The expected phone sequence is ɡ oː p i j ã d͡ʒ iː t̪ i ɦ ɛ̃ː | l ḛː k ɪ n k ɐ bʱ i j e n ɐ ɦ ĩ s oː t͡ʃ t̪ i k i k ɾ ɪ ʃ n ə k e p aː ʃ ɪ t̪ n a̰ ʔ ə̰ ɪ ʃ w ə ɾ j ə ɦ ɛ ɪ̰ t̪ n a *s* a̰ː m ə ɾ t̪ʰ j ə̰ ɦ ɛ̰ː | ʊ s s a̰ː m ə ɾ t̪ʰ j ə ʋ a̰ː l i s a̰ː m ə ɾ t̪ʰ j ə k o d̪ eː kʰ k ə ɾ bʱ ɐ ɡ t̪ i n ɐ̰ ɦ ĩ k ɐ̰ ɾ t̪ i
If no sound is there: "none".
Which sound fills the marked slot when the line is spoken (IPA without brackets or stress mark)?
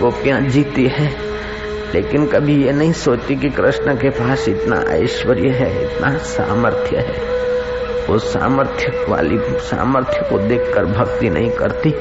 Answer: s